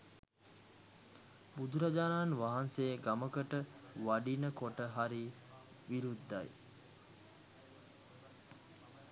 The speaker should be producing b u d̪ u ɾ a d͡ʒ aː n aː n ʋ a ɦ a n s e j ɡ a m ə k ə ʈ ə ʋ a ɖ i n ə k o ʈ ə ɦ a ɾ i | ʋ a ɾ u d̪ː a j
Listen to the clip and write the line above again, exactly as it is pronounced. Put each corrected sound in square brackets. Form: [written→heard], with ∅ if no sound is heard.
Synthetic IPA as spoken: b u d̪ u ɾ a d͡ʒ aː n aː n ʋ a ɦ a n s e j ɡ a m ə k ə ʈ ə ʋ a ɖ i n ə k o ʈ ə ɦ a ɾ i | ʋ [a→i] ɾ u d̪ː a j